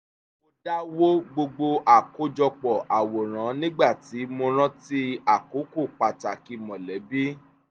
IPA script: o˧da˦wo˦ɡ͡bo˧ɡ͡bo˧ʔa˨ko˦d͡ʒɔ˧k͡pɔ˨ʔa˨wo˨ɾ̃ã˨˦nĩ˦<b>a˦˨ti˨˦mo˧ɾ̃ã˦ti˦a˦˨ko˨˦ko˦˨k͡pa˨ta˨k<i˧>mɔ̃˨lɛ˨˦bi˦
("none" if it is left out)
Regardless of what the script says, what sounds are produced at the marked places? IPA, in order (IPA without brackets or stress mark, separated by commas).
ɡ͡b, i˧